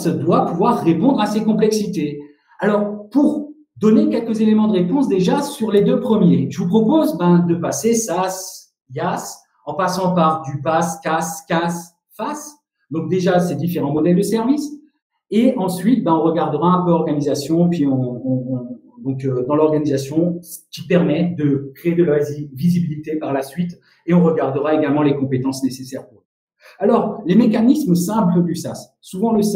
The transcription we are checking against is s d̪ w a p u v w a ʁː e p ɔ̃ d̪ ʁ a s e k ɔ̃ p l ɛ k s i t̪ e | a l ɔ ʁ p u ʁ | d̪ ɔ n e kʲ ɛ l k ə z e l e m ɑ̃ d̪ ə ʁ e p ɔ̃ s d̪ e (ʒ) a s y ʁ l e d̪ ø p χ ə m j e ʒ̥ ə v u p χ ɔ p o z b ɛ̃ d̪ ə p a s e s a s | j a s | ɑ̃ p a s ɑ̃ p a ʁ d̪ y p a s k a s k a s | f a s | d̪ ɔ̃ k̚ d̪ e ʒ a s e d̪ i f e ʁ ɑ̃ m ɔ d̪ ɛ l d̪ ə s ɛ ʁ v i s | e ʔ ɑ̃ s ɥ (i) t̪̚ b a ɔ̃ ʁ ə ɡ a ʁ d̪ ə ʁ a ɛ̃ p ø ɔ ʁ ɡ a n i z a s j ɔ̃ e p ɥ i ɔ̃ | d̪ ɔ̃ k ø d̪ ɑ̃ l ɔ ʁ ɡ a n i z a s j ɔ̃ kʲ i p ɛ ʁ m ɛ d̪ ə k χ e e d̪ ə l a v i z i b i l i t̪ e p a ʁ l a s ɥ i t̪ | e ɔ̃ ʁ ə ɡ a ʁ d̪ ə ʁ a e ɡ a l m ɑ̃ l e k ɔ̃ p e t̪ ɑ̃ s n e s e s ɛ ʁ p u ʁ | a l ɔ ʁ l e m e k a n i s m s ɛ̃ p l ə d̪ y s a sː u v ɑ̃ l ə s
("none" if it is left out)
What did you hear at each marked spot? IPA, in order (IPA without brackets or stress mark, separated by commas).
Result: ʒ, i